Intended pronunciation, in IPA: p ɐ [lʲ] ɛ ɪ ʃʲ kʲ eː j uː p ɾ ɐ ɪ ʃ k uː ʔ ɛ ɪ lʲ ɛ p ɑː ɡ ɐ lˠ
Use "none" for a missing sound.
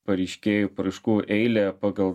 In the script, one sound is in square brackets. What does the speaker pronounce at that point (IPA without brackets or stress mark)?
ɾʲ